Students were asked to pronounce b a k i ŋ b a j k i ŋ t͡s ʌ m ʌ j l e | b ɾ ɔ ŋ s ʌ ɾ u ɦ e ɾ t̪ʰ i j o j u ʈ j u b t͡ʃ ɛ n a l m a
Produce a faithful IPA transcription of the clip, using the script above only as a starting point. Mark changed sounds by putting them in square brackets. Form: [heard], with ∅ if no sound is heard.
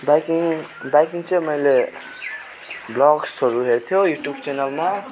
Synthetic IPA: b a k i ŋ b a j k i ŋ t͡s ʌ m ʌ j l e | b [l] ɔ [ɡ] s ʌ ɾ u ɦ e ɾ t̪ʰ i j o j u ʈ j u b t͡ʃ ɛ n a l m a